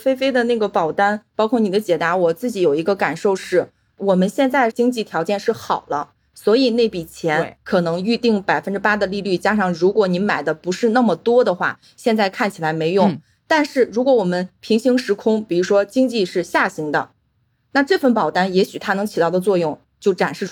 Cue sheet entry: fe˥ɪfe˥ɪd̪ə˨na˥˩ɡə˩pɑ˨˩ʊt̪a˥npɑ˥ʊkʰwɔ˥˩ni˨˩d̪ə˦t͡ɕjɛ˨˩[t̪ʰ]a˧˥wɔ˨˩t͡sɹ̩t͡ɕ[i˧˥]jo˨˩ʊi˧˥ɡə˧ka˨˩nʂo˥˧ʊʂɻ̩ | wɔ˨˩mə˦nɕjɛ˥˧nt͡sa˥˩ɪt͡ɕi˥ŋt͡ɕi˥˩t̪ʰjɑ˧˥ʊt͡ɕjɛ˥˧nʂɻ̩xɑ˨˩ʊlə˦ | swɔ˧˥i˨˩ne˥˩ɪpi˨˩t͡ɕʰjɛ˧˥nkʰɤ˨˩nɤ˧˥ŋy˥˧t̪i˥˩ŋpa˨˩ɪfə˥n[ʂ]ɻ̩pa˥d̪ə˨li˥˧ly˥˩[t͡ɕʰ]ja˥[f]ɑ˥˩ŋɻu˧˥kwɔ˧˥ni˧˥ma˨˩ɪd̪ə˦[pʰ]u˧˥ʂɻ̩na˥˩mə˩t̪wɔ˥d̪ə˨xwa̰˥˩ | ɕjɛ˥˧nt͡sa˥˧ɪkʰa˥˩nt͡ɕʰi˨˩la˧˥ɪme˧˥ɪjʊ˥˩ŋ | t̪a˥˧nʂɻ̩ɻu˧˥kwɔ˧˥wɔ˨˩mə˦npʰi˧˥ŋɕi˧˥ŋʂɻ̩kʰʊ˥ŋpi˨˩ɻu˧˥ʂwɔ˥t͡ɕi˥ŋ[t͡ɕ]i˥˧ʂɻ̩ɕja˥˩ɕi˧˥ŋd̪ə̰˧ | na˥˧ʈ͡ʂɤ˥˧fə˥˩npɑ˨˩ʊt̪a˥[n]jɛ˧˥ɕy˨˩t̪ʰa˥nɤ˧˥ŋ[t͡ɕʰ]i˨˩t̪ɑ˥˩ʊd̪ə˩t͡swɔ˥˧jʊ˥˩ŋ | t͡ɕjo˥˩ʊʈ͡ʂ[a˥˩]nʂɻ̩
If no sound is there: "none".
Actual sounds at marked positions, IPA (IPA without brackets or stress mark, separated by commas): t̪, i˧˥, ʈ͡ʂ, t͡ɕ, ʂ, p, t͡ɕ, n, t͡ɕʰ, a˨˩